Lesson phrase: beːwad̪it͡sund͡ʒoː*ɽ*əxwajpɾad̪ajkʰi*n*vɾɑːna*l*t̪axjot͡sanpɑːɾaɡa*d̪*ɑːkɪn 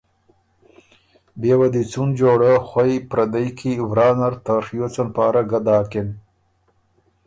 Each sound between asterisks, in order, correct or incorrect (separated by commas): correct, incorrect, incorrect, correct